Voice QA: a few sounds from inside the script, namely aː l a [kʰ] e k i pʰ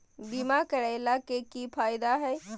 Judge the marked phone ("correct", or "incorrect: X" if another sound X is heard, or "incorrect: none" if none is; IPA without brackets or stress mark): incorrect: k